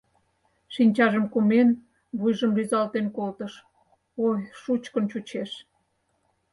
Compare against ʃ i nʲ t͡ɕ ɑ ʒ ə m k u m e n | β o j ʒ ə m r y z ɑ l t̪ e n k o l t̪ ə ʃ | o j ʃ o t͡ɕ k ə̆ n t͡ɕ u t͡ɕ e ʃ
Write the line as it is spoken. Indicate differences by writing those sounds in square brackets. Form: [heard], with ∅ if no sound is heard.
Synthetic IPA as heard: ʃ i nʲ t͡ɕ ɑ ʒ ə m k u m e n | β [u] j ʒ ə m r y z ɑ l t̪ e n k o l t̪ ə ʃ | o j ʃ [u] t͡ɕ k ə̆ n t͡ɕ u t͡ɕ e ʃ